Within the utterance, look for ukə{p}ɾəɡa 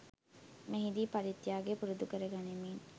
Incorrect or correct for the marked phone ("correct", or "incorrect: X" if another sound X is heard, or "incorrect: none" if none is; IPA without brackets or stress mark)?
incorrect: none